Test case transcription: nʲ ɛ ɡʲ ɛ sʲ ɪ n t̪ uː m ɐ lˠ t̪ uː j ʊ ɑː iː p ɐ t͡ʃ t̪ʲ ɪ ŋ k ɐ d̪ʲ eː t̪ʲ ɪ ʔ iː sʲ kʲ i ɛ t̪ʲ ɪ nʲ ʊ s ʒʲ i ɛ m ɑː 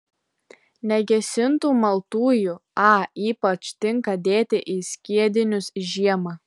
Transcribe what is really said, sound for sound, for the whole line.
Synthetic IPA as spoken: nʲ ɛ ɡʲ ɛ sʲ ɪ n t̪ uː m ɐ lˠ t̪ uː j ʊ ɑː iː p ɐ t͡ʃ t̪ʲ ɪ ŋ k ɐ d̪ʲ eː t̪ʲ ɪ ʔ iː sʲ kʲ i ɛ d̪ʲ ɪ nʲ ʊ s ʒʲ i ɛ m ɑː